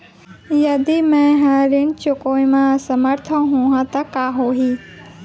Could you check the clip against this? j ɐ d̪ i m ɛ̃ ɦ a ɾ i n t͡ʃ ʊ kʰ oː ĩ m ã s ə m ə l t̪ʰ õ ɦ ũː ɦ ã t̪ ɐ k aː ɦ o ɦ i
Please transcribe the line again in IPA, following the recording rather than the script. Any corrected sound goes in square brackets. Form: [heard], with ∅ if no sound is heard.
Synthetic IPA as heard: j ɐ d̪ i m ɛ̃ ɦ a ɾ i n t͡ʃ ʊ [k] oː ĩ m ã s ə m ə [ɾ] t̪ʰ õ ɦ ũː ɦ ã t̪ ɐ k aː ɦ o ɦ i